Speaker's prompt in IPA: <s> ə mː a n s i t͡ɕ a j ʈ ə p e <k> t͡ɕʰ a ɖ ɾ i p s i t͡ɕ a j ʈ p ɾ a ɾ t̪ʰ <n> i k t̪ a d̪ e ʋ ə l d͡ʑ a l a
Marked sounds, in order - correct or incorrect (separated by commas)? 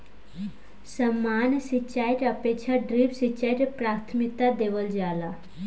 correct, correct, incorrect